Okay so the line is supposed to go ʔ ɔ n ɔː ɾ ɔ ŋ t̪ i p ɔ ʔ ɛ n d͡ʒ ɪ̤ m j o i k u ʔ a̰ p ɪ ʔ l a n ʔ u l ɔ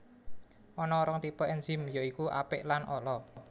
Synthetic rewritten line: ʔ ɔ n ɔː ɾ ɔ ŋ t̪ i p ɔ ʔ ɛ n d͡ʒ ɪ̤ m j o i k u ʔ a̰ p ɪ ʔ l a n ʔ ɔ l ɔ